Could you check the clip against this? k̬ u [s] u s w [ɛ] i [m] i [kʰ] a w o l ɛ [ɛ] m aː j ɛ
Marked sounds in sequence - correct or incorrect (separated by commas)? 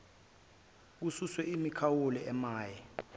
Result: correct, correct, correct, correct, correct